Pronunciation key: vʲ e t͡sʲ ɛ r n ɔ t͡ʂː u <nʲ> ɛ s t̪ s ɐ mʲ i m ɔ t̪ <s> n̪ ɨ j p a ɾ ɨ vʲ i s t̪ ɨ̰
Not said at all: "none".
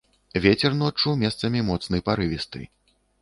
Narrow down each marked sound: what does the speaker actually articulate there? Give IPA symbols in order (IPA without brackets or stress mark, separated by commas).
mʲ, s